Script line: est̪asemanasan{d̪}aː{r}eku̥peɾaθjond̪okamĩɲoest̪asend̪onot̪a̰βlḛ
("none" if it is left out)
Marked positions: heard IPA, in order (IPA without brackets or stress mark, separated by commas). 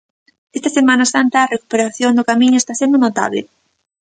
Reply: t̪, r